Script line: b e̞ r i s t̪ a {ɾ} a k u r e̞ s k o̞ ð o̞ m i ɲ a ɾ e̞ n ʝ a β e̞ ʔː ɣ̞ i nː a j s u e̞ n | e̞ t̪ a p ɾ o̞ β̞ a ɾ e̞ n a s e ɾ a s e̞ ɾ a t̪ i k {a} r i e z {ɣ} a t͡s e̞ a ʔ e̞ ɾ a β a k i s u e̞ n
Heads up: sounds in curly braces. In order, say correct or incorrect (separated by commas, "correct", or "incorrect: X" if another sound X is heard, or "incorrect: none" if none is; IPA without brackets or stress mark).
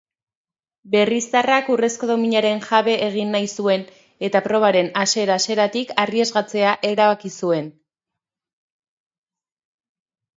incorrect: r, correct, correct